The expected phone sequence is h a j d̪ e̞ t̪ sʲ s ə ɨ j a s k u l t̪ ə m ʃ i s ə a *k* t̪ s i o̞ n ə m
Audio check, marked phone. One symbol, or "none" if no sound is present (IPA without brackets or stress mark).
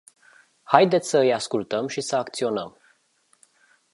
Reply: k